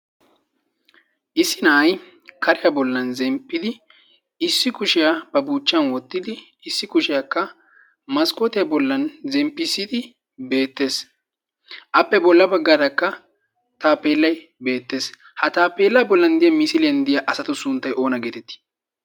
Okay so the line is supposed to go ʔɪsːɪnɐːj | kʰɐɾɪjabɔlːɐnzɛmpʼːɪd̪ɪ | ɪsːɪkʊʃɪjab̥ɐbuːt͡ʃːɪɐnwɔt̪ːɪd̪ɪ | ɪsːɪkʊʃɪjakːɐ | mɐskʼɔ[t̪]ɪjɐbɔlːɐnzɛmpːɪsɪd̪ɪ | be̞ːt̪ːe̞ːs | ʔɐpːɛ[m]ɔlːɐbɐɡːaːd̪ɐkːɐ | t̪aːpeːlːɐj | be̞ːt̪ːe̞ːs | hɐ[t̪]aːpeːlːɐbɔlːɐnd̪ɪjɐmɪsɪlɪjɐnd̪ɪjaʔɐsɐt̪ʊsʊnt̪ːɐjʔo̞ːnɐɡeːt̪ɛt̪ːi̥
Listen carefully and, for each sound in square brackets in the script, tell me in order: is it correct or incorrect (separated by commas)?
correct, incorrect, correct